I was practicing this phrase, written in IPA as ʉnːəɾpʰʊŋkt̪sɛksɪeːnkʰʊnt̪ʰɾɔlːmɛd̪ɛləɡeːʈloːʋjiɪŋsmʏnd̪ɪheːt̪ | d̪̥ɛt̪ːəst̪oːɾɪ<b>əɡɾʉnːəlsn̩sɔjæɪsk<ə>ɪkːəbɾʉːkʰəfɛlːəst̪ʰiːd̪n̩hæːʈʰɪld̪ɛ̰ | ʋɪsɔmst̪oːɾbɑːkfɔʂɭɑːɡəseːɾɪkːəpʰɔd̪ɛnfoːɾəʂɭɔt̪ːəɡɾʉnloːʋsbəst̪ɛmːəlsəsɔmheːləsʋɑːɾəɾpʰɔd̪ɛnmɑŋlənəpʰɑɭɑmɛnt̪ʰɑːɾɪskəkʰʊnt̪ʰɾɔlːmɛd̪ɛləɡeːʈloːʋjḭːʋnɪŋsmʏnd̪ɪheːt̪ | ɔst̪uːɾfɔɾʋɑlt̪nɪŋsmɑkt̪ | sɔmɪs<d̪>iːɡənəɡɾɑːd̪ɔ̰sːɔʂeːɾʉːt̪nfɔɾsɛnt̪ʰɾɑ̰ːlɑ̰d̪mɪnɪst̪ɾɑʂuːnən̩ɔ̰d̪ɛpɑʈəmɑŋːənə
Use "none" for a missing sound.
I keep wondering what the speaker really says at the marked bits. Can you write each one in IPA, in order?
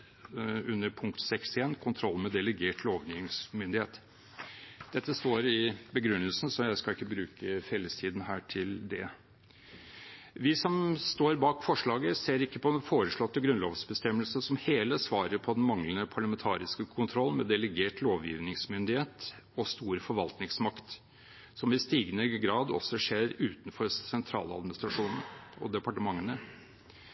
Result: b, ɑ, t̪

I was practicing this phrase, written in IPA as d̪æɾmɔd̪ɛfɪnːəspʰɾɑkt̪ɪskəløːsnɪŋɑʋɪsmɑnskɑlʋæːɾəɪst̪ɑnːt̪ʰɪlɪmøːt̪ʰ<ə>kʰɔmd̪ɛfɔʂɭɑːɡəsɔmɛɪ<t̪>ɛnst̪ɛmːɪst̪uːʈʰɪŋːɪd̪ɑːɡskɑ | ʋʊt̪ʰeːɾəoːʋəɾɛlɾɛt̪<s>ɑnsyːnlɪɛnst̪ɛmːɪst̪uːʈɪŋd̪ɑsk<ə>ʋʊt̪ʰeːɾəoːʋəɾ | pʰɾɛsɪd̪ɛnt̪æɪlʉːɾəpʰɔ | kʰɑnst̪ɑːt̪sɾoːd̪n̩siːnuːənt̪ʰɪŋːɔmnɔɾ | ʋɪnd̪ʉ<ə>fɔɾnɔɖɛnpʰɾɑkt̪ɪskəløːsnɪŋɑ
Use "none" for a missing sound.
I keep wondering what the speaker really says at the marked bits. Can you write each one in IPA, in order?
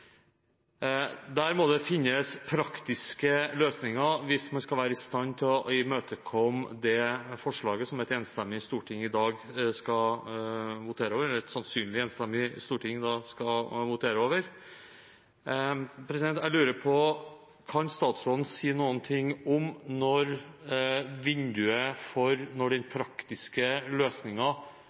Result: ə, t̪, s, ɑ, ə

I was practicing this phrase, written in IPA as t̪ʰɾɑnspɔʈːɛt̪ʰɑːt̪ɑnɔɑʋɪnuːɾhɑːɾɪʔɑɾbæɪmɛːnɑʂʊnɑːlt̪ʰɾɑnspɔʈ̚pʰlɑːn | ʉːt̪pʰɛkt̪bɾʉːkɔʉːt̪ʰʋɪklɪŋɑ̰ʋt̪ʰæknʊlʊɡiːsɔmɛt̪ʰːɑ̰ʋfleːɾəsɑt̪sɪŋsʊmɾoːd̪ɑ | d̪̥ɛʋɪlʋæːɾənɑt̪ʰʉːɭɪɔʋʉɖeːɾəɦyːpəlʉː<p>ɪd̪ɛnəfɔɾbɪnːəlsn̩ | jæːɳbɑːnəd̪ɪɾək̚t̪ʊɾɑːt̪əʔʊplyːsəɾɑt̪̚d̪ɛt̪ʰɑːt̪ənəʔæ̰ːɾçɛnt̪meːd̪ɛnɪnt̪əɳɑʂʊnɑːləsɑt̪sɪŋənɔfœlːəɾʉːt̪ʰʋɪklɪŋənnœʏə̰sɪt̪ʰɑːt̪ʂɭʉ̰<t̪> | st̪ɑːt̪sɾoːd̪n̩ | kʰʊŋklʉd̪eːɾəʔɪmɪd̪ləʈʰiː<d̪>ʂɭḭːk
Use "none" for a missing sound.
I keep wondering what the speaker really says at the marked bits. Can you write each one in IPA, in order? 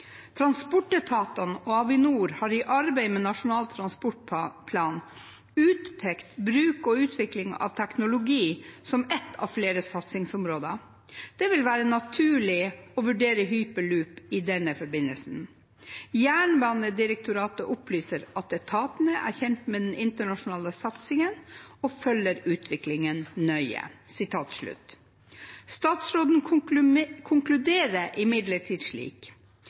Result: p, t̪, d̪

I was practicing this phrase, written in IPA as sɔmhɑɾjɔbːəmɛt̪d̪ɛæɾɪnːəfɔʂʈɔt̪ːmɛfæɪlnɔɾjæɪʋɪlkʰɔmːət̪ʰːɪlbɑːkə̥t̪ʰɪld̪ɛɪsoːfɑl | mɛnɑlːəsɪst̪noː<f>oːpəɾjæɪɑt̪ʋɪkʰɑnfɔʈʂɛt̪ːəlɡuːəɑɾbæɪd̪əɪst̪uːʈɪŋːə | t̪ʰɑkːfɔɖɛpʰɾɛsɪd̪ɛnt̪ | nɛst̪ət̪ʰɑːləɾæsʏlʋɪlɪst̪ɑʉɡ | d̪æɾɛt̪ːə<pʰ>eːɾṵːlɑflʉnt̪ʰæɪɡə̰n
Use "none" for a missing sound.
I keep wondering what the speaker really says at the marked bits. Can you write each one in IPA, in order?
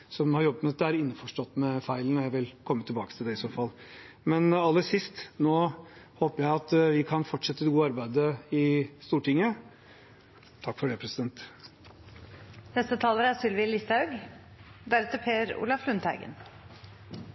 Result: h, pʰ

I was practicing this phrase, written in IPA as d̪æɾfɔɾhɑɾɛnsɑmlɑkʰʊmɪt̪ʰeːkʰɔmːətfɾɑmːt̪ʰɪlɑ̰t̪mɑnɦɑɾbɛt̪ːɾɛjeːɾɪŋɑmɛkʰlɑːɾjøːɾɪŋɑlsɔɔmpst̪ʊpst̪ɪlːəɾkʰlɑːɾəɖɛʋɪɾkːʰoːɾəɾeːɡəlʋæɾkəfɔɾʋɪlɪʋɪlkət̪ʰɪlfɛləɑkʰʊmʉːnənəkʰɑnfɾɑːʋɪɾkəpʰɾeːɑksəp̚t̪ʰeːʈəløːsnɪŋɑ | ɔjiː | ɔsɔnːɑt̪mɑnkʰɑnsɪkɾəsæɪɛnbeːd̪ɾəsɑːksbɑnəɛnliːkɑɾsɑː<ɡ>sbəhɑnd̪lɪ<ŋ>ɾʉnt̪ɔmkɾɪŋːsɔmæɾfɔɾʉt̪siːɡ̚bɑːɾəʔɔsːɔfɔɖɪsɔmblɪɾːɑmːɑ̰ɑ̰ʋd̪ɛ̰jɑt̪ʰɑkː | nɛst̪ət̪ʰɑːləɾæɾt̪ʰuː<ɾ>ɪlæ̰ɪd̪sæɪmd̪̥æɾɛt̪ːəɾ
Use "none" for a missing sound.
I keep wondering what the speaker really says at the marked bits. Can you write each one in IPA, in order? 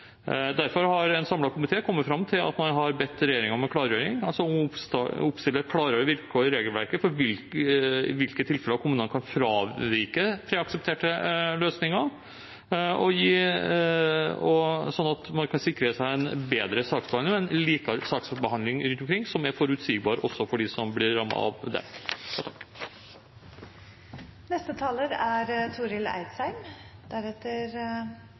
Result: k, ŋ, ɾ

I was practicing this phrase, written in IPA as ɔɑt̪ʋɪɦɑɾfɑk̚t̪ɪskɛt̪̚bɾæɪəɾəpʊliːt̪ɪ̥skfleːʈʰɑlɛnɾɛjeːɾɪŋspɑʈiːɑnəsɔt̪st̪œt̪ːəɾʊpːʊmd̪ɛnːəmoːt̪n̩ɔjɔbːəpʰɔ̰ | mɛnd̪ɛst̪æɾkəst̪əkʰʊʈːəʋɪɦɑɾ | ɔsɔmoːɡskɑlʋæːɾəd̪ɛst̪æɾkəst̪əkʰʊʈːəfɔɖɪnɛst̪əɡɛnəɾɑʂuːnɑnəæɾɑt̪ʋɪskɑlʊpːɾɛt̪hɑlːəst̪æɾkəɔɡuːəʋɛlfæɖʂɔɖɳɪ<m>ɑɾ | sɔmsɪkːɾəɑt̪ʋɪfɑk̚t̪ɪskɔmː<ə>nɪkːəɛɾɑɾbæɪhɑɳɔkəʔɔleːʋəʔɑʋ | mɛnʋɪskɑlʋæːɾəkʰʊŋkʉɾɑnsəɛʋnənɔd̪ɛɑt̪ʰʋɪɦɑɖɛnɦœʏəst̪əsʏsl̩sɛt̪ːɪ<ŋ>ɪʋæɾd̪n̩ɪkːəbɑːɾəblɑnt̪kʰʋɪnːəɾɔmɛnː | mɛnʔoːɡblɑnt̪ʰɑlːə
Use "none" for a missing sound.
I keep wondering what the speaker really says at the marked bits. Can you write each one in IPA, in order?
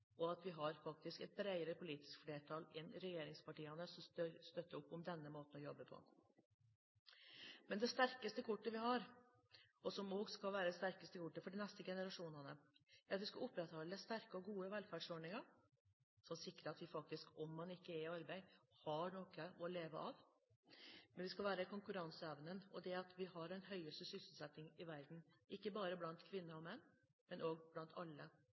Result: ŋ, ɑ, ŋ

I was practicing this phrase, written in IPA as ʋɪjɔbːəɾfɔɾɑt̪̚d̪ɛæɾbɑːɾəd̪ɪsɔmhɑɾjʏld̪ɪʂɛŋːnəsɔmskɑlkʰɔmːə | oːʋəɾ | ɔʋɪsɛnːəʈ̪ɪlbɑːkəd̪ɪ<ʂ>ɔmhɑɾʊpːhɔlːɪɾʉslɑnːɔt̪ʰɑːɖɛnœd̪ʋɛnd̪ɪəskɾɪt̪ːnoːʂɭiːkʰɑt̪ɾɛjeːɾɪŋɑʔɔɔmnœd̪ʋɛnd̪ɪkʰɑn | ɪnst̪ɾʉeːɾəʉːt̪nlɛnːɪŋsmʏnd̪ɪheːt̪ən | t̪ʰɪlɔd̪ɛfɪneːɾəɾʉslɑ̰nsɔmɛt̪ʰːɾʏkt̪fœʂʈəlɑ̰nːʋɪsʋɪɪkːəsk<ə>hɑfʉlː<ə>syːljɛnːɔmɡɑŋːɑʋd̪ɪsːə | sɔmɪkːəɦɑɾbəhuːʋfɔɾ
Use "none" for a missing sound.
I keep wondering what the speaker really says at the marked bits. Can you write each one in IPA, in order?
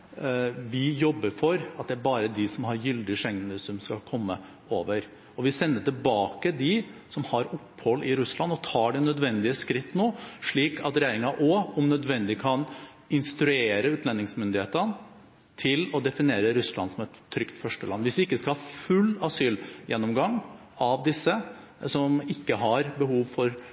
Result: s, ɑ, ɑ

